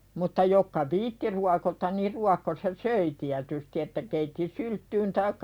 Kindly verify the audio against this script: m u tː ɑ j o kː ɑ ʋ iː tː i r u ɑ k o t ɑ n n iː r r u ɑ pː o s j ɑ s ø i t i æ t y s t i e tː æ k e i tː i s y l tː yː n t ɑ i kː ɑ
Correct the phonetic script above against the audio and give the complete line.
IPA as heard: m u tː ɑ j o kː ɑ ʋ iː tː i r u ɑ k o t ɑ n n iː r r u ɑ kː o s j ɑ s ø i t i æ t y s t i e tː æ k e i tː i s y l tː yː n t ɑ i kː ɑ

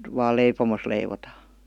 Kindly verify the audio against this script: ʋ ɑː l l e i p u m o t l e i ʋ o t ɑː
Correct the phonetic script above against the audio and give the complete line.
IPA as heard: ʋ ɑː l l e i p o m o s l e i ʋ o t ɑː

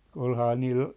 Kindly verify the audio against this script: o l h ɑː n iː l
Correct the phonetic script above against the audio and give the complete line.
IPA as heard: o l h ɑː n iː l

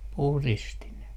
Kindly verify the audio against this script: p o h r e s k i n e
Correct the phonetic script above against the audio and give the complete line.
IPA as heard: p u h r i s t i n e

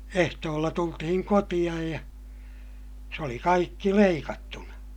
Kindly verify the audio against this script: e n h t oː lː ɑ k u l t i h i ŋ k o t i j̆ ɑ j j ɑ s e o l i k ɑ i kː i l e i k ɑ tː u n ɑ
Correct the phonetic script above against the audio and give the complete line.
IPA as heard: e h t oː lː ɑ t u l t i h i ŋ k o t i j̆ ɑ j j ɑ s e o l i k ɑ i kː i l e i k ɑ tː u n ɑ

